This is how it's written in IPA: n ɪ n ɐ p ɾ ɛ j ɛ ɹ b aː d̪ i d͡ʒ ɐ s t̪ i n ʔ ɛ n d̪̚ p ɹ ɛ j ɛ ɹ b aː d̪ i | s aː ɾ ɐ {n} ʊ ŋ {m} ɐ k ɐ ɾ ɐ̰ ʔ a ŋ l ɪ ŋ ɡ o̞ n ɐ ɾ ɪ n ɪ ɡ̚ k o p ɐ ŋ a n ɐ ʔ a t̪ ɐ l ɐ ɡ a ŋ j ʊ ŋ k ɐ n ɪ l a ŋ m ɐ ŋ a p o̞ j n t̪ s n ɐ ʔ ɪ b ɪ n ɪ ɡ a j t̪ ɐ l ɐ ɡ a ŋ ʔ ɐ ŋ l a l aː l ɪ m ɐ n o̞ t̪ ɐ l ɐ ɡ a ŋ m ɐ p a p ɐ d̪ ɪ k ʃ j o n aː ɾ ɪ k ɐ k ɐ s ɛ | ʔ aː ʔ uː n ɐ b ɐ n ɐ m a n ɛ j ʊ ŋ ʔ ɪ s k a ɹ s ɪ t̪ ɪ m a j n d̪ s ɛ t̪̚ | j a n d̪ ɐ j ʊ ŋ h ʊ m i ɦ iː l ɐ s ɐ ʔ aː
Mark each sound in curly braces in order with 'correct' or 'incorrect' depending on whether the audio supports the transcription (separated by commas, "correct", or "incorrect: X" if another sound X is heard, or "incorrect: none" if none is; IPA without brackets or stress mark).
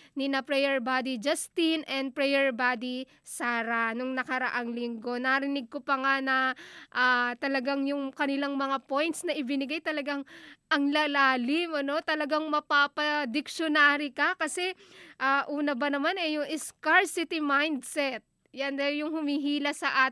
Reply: correct, incorrect: n